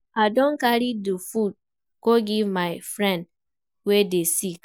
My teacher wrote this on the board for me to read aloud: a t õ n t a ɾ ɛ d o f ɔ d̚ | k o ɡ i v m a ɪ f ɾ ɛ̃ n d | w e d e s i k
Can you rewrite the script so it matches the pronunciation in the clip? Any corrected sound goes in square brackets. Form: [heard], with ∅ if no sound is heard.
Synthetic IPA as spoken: a [d] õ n [k] a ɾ [i] d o f [u] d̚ | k o ɡ i v m a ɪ f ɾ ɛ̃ n d | w e d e s i k